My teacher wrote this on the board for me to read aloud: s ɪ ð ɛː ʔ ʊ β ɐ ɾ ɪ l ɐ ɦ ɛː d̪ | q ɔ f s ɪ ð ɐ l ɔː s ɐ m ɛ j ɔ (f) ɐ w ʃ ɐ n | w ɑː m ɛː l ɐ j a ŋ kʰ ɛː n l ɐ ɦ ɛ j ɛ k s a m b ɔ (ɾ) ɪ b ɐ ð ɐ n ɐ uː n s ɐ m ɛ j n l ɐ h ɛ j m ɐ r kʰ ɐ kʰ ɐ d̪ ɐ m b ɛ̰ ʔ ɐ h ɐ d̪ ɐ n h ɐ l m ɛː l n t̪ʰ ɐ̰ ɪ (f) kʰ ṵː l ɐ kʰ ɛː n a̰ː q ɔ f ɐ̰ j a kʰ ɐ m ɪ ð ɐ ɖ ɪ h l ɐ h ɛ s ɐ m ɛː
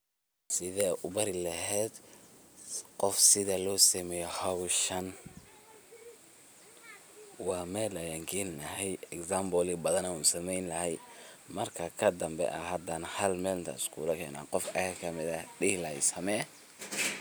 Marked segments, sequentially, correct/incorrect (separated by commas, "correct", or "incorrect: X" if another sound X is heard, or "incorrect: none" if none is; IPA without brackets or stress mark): incorrect: h, incorrect: l, incorrect: s